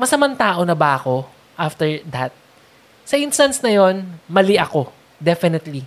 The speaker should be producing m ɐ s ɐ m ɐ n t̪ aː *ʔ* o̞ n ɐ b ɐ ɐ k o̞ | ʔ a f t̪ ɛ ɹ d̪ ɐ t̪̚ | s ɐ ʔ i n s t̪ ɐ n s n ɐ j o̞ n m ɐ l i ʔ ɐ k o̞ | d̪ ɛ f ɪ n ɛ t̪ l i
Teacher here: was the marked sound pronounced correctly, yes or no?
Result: yes